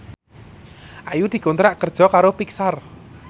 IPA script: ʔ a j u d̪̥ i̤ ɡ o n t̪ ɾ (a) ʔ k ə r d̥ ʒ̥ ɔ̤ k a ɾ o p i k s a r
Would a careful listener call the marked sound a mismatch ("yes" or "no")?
no